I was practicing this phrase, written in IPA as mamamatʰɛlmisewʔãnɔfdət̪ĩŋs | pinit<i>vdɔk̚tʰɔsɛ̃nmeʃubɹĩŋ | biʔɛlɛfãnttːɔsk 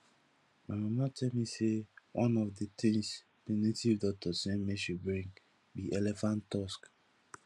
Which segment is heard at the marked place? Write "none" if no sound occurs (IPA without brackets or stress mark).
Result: i